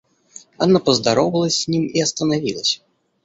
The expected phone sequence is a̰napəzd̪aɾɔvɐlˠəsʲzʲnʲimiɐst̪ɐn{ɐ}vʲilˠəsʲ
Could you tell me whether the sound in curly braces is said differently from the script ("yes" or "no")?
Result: yes